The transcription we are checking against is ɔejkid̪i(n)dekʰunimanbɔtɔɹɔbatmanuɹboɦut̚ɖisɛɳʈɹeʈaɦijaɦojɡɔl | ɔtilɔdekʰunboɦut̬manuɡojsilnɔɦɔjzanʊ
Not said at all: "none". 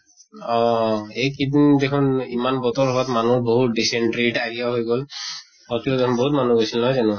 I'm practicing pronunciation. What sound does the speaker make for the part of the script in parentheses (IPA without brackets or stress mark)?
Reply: n